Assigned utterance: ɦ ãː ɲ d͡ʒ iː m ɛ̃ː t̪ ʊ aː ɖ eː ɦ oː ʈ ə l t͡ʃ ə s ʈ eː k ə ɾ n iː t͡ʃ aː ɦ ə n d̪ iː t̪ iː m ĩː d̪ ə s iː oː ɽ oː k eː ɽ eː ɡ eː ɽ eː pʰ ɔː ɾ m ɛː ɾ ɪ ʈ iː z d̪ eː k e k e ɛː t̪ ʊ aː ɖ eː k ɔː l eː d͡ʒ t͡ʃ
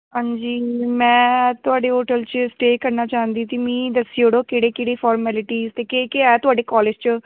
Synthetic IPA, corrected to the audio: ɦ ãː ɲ d͡ʒ iː m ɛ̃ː t̪ ʊ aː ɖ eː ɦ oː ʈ ə l t͡ʃ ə s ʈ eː k ə ɾ n aː t͡ʃ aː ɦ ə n d̪ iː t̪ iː m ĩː d̪ ə s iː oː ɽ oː k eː ɽ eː k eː ɽ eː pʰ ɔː ɾ m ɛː l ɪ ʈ iː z t̪ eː k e k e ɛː t̪ ʊ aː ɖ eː k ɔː l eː d͡ʒ t͡ʃ